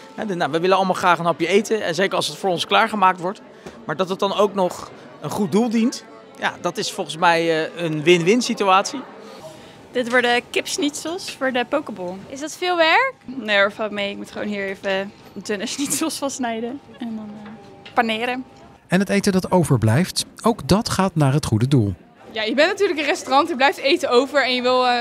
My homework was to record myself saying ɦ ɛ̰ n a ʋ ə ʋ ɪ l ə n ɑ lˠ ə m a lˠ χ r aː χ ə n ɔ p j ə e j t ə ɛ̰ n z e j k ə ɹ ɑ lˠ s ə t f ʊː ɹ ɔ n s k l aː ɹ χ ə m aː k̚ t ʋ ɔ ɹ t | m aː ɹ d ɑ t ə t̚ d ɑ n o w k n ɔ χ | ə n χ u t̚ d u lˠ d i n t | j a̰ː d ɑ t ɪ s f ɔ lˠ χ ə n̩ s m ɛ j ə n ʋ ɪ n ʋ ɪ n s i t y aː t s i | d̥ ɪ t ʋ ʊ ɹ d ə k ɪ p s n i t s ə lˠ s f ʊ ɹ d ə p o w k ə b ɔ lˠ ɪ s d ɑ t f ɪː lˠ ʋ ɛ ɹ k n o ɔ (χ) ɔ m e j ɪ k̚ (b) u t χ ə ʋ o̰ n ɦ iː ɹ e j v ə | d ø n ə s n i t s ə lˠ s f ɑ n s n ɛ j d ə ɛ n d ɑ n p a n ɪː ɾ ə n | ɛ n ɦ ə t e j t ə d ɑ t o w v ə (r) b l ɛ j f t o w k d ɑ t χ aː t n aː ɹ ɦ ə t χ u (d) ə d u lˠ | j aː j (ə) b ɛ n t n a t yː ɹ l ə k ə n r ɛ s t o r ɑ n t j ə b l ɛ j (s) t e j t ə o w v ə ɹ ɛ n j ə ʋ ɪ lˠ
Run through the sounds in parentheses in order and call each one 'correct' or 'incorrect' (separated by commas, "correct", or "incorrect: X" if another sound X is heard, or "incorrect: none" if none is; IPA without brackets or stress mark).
incorrect: f, incorrect: m, incorrect: ɹ, correct, correct, incorrect: f